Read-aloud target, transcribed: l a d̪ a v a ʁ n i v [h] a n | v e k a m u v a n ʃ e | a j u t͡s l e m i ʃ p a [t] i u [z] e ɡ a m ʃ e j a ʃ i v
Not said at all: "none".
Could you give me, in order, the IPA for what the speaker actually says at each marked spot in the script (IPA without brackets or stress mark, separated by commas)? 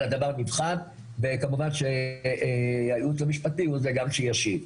χ, t, z